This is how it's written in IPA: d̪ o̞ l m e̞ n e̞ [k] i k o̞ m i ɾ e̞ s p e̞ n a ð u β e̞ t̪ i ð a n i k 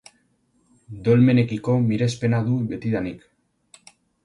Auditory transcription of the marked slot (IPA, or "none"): k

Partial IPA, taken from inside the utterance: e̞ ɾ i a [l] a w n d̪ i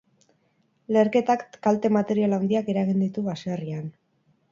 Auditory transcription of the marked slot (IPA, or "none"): l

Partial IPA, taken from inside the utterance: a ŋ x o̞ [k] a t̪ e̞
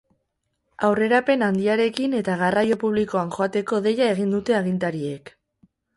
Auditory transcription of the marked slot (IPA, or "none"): none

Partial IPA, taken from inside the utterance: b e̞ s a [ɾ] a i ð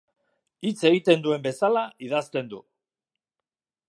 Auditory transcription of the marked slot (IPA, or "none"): l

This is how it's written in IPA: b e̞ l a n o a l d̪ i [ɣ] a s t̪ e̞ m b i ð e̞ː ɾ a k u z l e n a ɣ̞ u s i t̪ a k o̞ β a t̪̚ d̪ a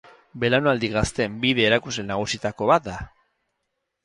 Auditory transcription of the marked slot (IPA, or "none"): ɣ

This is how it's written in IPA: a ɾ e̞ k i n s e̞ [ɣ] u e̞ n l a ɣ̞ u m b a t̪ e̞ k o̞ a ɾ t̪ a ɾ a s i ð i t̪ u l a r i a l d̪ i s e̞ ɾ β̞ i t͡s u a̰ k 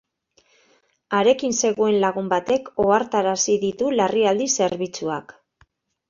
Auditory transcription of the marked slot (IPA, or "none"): ɣ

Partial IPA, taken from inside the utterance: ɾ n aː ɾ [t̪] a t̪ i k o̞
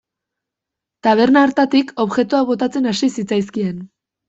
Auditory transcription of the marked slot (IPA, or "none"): t̪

